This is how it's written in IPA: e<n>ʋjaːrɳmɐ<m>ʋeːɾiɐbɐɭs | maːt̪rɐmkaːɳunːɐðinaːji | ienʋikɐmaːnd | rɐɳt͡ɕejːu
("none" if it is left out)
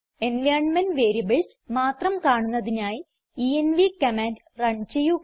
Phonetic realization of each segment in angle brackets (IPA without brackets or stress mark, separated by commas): n, n